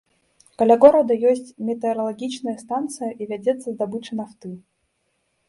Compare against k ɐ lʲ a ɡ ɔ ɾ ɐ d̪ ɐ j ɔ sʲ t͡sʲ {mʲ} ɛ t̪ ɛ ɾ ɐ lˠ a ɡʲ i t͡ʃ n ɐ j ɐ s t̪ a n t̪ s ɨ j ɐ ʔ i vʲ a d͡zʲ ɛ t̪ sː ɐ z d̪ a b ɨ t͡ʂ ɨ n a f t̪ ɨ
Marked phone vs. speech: correct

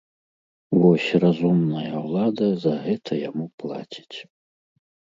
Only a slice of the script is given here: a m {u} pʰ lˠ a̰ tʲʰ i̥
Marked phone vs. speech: correct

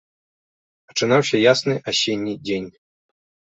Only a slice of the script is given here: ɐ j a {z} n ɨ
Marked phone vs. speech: incorrect: s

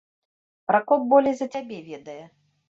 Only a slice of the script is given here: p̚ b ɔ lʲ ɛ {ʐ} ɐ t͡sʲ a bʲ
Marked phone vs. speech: incorrect: z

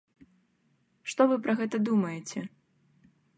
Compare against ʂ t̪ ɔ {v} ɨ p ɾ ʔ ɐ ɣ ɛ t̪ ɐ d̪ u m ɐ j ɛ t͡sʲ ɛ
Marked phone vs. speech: correct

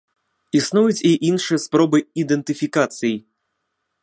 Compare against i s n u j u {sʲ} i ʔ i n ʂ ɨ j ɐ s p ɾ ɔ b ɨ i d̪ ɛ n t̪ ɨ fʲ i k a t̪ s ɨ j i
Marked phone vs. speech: incorrect: t͡sʲ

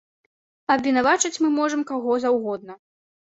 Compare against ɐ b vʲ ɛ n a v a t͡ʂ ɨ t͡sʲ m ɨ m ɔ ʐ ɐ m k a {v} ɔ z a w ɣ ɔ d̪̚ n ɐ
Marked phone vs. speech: incorrect: ɣ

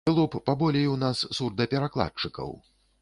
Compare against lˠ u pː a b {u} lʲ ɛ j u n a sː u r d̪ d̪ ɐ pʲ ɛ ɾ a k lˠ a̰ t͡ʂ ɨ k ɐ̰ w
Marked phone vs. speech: incorrect: ɔ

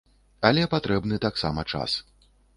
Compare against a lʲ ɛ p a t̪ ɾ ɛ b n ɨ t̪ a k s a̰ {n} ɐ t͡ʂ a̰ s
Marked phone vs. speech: incorrect: m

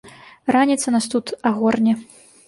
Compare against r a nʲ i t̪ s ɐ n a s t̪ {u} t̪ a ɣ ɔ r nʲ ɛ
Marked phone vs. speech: correct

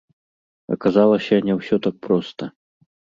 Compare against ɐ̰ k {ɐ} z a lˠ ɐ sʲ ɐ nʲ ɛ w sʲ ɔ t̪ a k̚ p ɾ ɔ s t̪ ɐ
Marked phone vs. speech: incorrect: a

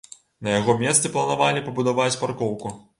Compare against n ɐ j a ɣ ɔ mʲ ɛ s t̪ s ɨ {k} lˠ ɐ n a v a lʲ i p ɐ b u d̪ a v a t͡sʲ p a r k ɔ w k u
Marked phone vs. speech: incorrect: p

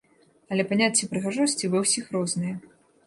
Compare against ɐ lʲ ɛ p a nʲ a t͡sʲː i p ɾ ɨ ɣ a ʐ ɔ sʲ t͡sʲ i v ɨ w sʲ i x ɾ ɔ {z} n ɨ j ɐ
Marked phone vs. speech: correct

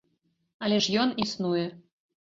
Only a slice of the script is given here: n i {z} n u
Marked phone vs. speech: incorrect: s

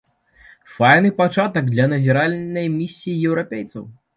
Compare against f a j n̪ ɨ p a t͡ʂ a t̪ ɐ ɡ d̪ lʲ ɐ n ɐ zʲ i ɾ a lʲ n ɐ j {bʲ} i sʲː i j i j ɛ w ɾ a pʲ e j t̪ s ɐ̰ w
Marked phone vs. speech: incorrect: mʲ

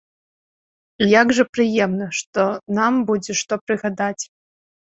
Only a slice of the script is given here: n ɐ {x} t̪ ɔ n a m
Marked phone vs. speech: incorrect: ʂ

